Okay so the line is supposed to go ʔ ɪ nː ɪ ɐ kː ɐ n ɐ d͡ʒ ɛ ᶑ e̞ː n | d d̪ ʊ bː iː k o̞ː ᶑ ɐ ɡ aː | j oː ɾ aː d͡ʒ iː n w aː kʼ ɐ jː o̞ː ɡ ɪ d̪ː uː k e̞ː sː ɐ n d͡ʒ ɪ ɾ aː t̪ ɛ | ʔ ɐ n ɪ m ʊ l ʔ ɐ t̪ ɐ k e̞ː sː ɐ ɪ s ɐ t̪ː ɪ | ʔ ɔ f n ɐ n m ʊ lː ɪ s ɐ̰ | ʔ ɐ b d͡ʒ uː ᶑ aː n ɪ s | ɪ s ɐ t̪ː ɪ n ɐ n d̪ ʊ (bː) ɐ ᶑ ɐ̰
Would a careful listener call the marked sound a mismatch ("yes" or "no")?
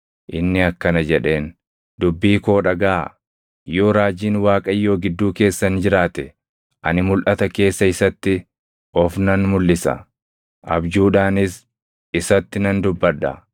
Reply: no